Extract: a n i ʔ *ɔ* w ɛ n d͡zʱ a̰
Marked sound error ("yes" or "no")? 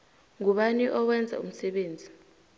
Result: no